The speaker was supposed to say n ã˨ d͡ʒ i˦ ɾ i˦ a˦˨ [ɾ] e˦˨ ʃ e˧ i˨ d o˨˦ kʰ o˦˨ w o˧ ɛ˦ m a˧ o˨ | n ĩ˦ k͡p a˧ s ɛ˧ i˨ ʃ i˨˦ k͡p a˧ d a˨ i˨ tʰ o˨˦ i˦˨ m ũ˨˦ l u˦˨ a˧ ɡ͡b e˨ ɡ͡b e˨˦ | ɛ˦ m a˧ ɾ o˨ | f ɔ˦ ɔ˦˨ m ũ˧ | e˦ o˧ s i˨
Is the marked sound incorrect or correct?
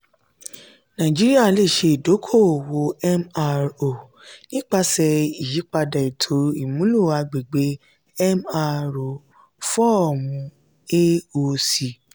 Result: incorrect